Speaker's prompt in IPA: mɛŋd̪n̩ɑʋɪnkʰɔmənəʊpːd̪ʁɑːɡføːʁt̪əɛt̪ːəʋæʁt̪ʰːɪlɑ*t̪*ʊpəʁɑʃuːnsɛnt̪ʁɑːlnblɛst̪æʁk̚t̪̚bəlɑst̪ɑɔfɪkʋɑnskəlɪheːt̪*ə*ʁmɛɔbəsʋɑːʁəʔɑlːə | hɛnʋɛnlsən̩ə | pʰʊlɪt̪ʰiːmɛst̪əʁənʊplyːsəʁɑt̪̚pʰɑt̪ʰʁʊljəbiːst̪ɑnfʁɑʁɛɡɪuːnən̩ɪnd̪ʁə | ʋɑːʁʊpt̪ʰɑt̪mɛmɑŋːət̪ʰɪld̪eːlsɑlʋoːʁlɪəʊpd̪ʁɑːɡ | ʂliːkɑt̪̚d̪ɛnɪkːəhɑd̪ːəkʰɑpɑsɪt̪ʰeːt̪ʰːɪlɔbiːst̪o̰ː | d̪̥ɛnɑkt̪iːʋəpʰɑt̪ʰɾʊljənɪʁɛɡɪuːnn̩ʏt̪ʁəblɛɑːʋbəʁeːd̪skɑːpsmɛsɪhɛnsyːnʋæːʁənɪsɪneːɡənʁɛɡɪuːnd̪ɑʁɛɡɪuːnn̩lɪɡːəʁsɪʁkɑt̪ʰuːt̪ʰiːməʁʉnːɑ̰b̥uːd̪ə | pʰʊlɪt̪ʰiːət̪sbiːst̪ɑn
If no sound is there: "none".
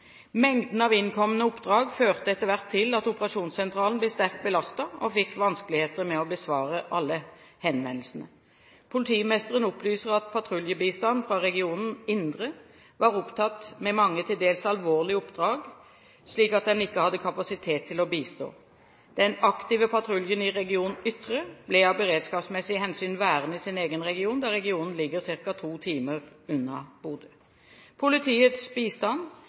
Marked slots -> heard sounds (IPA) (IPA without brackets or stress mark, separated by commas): t̪, ə